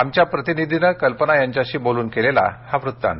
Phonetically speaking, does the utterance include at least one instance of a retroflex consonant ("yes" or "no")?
no